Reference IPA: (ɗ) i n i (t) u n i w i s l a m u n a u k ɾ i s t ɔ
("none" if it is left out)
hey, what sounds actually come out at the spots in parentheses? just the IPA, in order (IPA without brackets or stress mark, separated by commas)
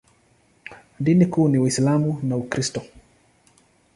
d, k